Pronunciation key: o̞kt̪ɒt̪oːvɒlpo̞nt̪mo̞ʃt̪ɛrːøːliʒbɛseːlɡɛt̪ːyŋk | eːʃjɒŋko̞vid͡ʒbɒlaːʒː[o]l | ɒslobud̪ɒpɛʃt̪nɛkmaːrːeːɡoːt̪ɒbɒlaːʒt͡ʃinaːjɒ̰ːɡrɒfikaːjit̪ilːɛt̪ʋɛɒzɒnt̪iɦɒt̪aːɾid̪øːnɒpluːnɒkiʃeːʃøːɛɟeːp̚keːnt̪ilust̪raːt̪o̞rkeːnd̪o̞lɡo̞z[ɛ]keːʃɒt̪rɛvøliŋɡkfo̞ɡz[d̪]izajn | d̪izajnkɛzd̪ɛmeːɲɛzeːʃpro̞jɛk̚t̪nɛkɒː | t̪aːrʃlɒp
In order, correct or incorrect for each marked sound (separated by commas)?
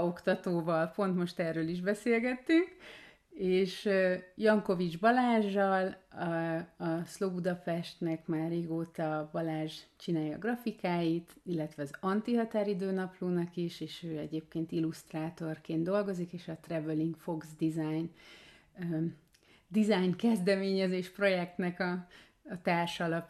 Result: incorrect, incorrect, correct